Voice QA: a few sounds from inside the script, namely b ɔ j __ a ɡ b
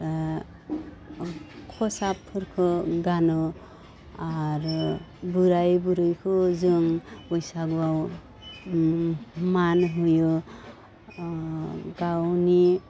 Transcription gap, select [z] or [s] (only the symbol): s